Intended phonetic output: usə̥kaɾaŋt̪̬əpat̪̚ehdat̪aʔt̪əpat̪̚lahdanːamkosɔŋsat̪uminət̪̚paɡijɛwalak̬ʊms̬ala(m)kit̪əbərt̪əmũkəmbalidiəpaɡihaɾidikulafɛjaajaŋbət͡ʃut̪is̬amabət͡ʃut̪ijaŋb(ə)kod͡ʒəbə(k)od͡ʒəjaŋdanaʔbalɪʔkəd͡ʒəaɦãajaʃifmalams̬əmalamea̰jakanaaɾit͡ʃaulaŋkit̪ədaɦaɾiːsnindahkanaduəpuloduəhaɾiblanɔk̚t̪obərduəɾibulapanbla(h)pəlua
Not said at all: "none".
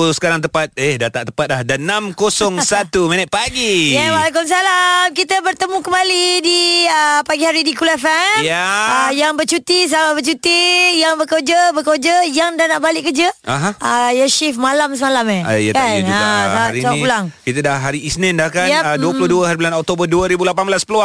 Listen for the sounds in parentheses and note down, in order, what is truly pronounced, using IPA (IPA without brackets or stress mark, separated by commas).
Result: m, ə, k, s